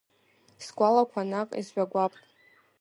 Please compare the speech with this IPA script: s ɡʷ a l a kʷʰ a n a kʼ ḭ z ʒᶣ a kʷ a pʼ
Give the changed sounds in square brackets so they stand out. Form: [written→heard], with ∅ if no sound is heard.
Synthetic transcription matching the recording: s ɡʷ a l a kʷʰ a n a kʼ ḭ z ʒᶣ a [kʷ→ɡʷ] a pʼ